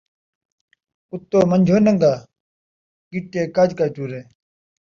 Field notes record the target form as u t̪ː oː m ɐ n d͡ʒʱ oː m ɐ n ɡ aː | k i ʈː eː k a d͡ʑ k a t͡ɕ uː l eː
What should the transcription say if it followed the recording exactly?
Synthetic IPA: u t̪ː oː m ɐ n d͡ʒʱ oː n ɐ ŋ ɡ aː | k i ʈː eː k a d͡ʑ k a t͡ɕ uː ɾ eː